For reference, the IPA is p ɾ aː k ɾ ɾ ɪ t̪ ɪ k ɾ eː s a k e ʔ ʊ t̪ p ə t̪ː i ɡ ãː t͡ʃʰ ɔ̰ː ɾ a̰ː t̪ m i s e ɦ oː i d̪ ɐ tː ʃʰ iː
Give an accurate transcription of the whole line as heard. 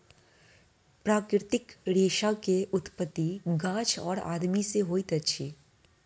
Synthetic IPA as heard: p ɾ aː k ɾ ɾ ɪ t̪ ɪ k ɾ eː ʃ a k e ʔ ʊ t̪ p ə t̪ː i ɡ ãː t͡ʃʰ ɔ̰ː ɾ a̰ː d̪ m i s e ɦ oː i t̪ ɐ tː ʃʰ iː